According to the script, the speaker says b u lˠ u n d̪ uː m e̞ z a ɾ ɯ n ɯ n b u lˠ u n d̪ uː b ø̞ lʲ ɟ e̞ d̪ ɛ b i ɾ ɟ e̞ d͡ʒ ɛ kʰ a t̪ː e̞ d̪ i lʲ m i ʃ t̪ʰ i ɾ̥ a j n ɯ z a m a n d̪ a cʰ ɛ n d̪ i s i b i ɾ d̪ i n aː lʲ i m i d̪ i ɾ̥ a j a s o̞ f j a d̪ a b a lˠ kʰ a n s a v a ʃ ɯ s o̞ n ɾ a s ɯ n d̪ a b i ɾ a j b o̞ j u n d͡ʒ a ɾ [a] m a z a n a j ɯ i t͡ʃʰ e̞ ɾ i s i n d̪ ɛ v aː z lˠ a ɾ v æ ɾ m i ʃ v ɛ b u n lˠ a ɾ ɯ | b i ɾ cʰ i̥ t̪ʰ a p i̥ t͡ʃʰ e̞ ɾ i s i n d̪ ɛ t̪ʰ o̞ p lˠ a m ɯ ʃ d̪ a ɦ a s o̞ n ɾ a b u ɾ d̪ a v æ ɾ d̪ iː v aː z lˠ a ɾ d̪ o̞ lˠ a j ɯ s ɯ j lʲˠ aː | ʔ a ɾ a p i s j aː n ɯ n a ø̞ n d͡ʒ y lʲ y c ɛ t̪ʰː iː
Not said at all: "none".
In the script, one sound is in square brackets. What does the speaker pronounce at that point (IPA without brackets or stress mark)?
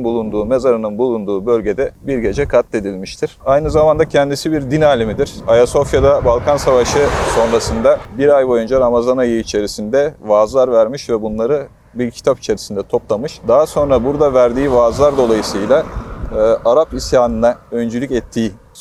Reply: a